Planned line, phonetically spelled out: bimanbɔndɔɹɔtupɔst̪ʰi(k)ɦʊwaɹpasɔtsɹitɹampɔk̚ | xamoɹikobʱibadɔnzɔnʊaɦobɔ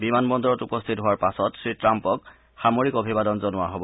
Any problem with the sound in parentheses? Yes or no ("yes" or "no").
yes